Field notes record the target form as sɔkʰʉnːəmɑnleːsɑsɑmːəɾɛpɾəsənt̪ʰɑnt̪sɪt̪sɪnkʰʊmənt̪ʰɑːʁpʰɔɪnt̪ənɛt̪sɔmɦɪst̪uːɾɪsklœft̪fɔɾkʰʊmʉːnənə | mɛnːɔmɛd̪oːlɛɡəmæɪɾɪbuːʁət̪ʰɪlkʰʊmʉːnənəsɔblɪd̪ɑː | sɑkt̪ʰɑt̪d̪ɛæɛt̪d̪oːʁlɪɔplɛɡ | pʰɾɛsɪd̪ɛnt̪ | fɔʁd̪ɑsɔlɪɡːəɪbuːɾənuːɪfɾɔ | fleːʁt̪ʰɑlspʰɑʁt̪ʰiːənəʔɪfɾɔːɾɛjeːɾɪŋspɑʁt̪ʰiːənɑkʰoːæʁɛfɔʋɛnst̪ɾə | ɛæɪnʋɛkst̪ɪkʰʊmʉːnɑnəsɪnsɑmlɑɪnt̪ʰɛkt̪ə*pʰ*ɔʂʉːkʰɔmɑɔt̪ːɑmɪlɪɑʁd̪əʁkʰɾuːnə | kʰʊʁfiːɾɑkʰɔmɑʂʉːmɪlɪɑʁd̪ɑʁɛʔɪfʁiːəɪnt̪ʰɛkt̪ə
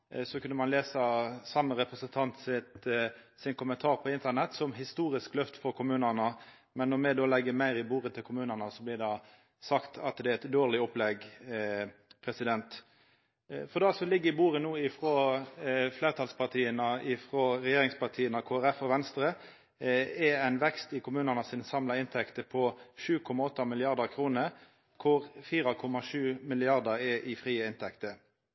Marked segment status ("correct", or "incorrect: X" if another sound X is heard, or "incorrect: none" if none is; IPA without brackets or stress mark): correct